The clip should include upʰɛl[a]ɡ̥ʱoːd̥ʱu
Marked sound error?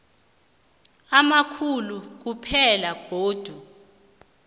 no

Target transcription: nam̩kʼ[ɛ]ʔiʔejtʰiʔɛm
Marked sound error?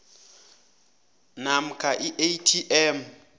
yes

